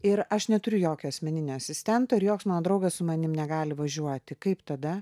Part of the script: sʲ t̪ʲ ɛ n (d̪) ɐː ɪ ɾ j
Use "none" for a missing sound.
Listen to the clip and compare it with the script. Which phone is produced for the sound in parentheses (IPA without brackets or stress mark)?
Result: t̪